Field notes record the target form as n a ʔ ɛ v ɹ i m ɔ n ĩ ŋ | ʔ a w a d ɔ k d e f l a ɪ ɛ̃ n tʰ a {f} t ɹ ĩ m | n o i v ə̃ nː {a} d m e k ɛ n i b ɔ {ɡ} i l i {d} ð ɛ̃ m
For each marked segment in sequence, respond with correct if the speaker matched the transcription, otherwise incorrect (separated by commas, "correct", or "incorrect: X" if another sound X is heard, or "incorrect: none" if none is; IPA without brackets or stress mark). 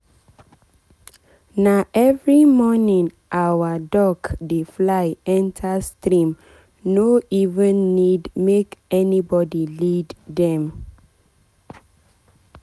incorrect: s, incorrect: i, incorrect: d, correct